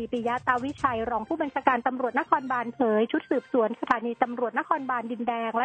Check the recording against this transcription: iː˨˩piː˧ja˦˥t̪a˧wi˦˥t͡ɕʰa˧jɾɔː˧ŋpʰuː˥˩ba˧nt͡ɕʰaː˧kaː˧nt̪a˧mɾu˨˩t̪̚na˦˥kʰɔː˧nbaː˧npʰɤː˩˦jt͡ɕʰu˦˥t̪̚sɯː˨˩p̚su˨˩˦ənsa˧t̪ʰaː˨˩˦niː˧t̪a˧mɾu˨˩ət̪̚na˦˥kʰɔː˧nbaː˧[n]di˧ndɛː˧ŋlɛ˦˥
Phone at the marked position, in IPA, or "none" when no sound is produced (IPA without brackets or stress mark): n